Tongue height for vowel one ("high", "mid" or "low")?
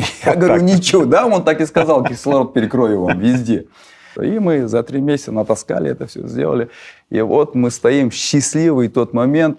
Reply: low